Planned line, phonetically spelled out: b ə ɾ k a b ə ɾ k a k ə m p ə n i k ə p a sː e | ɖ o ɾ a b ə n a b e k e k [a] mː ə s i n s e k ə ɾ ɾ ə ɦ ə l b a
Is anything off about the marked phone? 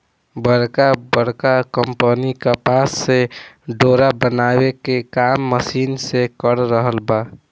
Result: no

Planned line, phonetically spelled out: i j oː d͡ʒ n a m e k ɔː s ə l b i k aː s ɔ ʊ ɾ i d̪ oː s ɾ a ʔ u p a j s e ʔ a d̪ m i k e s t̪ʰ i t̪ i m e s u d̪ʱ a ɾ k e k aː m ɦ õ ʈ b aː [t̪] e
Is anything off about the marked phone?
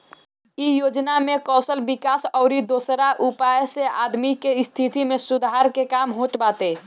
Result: no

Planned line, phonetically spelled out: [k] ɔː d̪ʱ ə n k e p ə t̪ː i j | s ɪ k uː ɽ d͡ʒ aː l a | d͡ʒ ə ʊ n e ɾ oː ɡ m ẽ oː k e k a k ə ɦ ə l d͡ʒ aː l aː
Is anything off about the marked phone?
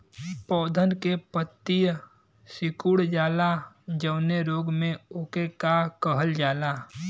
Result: yes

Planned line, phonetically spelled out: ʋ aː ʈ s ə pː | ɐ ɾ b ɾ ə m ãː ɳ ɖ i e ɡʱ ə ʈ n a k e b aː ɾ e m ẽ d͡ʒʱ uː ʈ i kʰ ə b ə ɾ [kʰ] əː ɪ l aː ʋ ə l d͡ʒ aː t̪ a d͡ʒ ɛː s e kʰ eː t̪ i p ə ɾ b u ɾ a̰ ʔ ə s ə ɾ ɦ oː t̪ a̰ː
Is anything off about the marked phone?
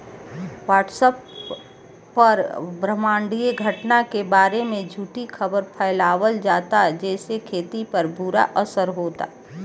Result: yes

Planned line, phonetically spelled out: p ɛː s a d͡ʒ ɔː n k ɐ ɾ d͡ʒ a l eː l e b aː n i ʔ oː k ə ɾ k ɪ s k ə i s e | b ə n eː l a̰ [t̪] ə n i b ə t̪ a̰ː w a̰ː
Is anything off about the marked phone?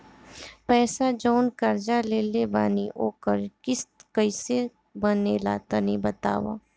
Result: no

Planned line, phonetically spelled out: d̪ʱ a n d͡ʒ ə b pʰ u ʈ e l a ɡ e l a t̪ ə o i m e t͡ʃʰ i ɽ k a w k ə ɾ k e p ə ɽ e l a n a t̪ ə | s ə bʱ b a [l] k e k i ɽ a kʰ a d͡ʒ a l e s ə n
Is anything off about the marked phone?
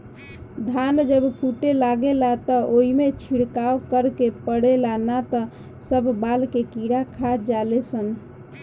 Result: no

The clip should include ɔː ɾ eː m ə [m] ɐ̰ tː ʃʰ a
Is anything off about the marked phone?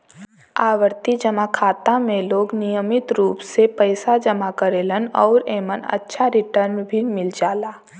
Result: yes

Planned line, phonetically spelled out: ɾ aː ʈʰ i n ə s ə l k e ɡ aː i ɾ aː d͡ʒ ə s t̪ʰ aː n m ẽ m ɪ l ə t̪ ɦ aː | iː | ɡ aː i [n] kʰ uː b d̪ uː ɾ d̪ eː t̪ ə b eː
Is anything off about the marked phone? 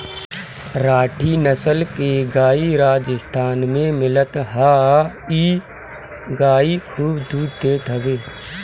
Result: yes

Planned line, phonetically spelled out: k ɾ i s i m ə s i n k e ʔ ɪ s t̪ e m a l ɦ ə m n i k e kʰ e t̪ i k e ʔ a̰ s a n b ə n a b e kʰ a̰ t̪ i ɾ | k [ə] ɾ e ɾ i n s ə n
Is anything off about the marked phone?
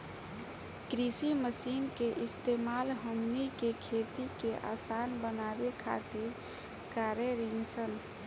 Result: yes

